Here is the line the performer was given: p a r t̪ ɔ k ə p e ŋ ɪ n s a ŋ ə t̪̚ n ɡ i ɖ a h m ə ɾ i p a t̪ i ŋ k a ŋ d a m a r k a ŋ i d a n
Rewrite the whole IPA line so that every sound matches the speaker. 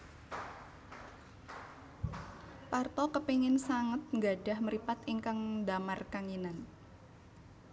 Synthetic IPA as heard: p a r t̪ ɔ k ə p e ŋ ɪ n s a ŋ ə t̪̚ ŋ ɡ a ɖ a h m ə ɾ i p a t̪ i ŋ k a ŋ d a m a r k a ŋ i n a n